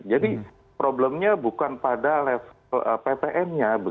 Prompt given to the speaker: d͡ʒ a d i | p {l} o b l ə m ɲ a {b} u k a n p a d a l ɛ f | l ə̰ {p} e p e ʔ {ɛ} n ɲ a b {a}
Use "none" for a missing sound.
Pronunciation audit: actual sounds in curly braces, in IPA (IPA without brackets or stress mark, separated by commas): ɾ, b, p, ɛ, ə